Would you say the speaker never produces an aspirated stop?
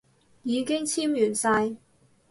no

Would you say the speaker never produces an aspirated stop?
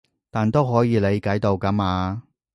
yes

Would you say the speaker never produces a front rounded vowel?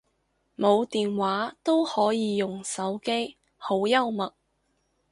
yes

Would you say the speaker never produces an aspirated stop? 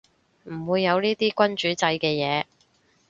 yes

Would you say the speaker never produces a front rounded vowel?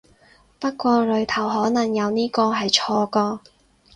yes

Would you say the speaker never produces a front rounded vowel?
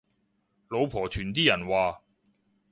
no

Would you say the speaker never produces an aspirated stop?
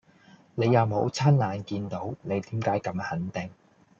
no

